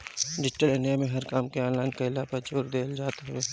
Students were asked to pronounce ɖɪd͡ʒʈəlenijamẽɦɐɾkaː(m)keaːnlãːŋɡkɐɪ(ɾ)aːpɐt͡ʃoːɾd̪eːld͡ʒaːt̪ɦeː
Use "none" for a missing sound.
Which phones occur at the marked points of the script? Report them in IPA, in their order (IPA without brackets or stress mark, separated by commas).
m, l